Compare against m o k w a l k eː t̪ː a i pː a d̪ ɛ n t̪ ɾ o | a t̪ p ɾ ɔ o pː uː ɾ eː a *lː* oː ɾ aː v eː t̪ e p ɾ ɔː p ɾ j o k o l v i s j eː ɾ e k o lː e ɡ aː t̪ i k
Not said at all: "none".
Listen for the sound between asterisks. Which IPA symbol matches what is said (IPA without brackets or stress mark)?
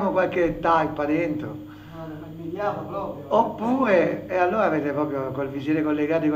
lː